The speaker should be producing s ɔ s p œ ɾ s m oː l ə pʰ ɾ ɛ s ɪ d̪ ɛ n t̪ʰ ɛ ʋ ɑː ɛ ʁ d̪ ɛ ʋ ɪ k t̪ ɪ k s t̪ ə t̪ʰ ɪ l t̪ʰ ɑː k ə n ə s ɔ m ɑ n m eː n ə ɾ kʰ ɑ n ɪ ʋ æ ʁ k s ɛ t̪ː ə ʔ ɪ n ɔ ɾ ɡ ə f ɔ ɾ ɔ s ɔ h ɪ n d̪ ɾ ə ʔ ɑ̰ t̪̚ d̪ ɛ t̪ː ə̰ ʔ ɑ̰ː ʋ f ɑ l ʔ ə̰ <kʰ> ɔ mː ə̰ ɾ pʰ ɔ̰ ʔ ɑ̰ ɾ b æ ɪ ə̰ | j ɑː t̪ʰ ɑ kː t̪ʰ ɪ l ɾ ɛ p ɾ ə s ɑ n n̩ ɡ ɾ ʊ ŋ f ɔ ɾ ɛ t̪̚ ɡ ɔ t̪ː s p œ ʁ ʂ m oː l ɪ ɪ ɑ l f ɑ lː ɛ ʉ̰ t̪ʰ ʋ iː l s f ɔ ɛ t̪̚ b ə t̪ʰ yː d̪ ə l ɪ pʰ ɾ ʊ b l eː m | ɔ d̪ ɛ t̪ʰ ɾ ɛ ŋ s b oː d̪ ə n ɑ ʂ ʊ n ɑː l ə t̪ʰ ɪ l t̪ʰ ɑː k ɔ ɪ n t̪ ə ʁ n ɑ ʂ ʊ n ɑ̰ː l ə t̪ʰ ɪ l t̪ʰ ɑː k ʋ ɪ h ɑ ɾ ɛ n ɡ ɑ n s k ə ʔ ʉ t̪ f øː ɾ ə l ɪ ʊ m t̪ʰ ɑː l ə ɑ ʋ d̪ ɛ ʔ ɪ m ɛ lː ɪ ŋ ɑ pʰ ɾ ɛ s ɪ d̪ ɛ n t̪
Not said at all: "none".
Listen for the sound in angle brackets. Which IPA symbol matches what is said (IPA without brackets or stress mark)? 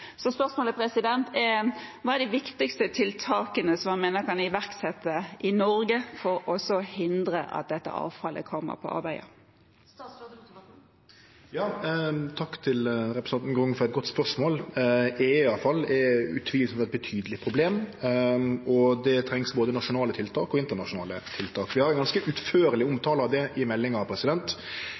kʰ